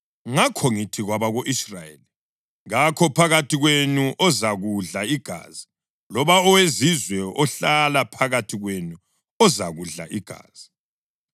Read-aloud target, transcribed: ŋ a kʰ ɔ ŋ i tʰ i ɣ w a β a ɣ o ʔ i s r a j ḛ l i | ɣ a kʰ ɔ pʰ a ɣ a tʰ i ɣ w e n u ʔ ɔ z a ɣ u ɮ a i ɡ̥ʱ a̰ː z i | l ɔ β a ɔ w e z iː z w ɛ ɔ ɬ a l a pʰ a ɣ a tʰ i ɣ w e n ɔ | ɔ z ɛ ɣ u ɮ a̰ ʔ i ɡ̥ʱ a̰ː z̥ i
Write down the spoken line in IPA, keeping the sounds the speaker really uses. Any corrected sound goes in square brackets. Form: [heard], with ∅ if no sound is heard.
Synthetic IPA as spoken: ŋ a kʰ ɔ ŋ i tʰ i ɣ w a β a ɣ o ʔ i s r a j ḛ l i | ɣ a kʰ ɔ pʰ a ɣ a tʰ i ɣ w e n u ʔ ɔ z a ɣ u ɮ a i ɡ̥ʱ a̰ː z i | l ɔ β a ɔ w e z [i] z w ɛ ɔ ɬ a l a pʰ a ɣ a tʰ i ɣ w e n [u] | ɔ z [a] ɣ u ɮ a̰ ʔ i ɡ̥ʱ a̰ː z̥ i